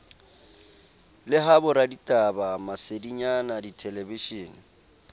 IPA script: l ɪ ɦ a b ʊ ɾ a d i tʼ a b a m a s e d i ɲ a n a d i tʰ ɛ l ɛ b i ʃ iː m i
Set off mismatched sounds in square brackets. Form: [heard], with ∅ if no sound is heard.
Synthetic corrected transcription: l ɪ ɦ a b ʊ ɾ a d i tʼ a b a m a s e d i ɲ a n a d i tʰ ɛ l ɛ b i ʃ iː [n] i